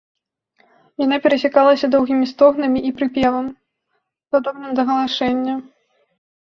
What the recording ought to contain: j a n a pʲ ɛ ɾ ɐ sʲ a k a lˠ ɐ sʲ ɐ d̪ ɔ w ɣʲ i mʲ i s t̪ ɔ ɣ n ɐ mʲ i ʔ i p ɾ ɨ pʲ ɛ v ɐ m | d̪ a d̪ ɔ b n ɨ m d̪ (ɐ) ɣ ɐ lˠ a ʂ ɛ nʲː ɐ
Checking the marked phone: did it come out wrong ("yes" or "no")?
no